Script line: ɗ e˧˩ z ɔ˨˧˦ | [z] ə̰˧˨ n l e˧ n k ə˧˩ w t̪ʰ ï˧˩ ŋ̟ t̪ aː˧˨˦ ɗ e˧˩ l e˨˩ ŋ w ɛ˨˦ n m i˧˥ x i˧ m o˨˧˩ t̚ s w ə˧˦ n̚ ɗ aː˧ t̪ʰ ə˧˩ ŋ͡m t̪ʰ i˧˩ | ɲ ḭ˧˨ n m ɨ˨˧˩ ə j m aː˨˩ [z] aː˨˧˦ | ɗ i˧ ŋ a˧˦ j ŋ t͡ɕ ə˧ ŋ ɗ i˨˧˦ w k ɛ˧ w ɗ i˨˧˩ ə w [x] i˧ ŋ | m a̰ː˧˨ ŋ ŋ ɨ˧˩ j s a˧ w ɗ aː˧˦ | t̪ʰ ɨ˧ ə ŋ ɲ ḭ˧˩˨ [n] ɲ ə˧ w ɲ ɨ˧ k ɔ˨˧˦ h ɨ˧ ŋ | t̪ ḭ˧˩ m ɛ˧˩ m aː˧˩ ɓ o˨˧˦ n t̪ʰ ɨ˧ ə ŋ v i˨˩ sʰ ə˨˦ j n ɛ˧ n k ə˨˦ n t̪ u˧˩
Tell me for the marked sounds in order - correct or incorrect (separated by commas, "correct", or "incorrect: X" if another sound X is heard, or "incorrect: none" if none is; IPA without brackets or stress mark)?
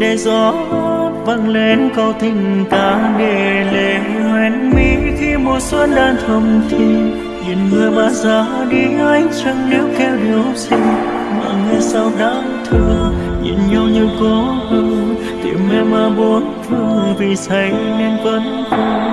incorrect: v, correct, incorrect: s, correct